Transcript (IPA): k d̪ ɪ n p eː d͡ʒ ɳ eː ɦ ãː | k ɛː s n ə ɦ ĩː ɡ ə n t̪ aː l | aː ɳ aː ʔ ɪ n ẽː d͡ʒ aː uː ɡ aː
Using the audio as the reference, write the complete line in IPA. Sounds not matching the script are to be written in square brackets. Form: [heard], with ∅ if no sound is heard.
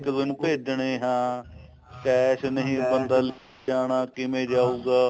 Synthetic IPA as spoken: k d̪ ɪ n p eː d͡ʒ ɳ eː ɦ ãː | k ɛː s n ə ɦ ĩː [b] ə n [d̪] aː l | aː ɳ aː [k] ɪ [m] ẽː d͡ʒ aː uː ɡ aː

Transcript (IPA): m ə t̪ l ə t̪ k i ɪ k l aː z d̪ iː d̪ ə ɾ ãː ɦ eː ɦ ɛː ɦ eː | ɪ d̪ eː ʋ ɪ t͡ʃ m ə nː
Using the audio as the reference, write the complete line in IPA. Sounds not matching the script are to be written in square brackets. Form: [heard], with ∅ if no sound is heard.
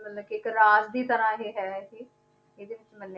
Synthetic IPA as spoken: m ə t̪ l ə [∅] k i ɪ k [ɾ] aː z d̪ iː [t̪] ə ɾ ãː ɦ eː ɦ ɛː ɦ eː | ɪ d̪ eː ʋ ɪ t͡ʃ m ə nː

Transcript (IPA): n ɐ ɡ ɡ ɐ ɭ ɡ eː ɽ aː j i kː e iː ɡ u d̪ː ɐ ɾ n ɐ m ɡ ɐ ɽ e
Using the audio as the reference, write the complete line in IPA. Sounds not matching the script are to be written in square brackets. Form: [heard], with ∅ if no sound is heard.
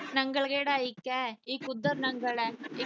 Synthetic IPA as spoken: n ɐ [ŋ] ɡ ɐ ɭ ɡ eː ɽ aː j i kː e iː [k] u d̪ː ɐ ɾ n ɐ [ŋ] ɡ ɐ [ɭ] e

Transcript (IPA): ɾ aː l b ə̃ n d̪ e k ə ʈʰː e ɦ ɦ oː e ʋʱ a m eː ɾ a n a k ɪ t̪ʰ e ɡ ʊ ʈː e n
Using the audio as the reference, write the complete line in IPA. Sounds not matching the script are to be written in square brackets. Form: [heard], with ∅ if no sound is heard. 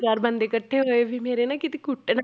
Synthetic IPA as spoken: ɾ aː [ɾ] b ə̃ n d̪ e k ə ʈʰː e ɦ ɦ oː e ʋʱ [i] m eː ɾ [e] n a k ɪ [t̪] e [k] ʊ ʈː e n

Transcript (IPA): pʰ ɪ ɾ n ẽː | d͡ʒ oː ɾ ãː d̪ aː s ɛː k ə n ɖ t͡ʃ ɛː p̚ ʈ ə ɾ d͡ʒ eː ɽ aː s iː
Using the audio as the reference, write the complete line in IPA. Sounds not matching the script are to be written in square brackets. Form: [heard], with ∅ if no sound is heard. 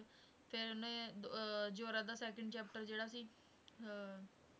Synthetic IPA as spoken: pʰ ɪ ɾ n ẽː | d͡ʒ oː ɾ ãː d̪ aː s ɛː k ə [ɳ] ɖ t͡ʃ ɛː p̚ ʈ ə ɾ d͡ʒ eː ɽ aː s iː

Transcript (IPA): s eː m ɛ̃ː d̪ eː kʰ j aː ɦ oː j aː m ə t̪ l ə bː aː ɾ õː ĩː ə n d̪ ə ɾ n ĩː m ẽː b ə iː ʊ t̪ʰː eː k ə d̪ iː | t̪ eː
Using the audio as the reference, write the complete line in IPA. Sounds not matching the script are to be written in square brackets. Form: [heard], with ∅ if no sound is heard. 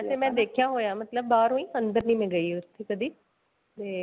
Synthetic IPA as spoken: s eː m ɛ̃ː d̪ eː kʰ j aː ɦ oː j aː m ə t̪ l ə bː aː ɾ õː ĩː ə n d̪ ə ɾ n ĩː m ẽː [ɡ] ə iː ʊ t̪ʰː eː k ə d̪ iː | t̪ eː

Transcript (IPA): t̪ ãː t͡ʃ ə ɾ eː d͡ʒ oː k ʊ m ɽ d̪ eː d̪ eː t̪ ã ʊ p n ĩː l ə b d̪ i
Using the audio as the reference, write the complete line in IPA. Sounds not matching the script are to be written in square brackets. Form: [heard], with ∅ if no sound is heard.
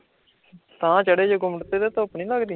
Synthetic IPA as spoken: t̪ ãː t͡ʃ ə [ɽ] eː d͡ʒ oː [ɡ] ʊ m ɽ [t̪] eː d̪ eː t̪ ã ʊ p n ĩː l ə [ɡ] d̪ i

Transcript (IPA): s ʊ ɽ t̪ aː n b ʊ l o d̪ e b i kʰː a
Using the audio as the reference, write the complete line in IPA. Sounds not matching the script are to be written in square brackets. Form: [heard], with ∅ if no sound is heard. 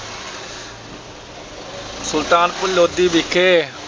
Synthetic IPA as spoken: s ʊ [l] t̪ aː n [p] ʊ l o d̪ [i] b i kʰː [e]

